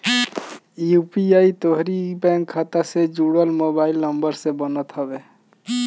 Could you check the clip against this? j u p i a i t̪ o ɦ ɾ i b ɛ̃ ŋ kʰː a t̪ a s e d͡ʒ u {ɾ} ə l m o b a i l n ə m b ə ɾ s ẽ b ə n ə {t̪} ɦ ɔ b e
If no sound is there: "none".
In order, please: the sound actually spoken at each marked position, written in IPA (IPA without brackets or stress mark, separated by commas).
ɽ, t̪